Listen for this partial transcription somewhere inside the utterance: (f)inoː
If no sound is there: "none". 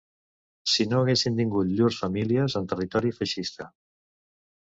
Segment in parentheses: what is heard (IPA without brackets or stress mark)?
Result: s